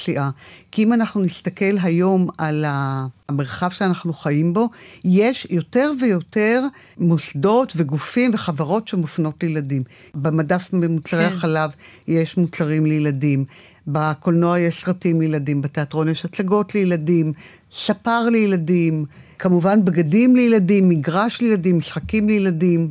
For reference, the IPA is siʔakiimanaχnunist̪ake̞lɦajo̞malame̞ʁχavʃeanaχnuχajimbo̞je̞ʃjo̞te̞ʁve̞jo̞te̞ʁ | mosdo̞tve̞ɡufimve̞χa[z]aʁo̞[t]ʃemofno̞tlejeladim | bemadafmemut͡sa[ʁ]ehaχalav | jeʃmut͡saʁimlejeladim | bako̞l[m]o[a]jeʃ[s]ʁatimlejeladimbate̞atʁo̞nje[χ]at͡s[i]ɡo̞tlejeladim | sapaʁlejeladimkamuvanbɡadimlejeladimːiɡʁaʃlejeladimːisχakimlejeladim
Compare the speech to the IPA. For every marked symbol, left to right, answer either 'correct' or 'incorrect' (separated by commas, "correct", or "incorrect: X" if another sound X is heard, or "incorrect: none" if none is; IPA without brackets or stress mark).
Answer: incorrect: v, correct, correct, incorrect: n, correct, correct, incorrect: ʃ, incorrect: a